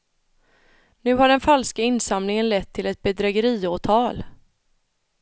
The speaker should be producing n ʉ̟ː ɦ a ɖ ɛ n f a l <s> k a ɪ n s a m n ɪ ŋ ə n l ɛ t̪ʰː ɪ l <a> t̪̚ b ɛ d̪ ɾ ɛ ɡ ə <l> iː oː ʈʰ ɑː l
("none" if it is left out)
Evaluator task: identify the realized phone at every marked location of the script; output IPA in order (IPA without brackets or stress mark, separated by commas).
s, ɛ, ɾ